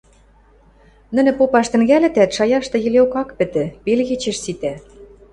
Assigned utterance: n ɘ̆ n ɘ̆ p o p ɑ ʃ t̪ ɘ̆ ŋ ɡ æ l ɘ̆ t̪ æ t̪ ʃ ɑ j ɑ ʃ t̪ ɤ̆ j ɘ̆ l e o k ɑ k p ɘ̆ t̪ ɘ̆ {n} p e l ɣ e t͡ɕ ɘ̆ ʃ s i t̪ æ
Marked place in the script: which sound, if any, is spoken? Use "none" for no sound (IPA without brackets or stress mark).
none